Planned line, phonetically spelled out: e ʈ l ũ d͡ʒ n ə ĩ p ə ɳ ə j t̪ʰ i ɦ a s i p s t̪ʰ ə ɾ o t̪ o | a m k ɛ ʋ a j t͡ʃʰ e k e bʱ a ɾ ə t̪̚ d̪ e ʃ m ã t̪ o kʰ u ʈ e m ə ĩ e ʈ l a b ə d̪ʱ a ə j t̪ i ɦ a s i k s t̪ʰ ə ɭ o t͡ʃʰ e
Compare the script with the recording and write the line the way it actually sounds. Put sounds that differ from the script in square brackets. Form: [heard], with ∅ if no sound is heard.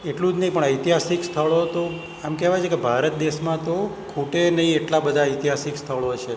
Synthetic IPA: e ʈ l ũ d͡ʒ n ə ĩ p ə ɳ ə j [t̪] i ɦ a s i [k] s t̪ʰ ə [ɭ] o t̪ o | a m k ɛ ʋ a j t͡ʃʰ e k e bʱ a ɾ ə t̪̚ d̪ e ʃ m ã t̪ o kʰ u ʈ e [n] ə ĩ e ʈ l a b ə d̪ʱ a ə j t̪ i ɦ a s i k s t̪ʰ ə ɭ o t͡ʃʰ e